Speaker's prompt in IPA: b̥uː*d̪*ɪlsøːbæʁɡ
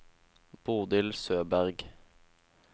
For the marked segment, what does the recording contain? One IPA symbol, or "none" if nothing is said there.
d̪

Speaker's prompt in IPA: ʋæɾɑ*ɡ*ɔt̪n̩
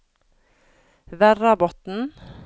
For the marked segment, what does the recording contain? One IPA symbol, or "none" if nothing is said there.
b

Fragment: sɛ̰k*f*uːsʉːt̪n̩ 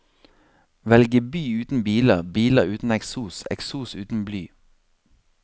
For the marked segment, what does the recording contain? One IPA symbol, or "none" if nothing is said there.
s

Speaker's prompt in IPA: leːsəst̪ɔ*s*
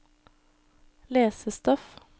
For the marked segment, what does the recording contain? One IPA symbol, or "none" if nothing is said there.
f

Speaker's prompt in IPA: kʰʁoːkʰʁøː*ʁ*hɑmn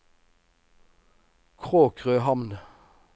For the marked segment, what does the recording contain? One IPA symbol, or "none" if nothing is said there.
none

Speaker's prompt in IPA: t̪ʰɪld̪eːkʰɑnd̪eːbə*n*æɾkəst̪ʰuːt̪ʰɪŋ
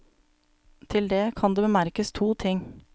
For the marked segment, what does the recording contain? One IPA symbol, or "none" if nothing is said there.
m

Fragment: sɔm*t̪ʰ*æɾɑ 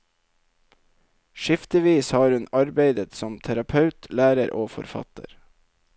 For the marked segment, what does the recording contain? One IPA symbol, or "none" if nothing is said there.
t̪ʰ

